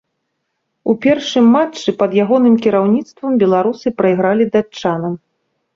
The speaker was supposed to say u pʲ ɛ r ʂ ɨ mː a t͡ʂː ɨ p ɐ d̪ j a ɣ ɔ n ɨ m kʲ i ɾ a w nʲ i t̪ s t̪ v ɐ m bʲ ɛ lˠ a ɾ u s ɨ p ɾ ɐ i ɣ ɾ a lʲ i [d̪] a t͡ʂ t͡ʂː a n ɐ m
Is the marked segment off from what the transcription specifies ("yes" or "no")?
no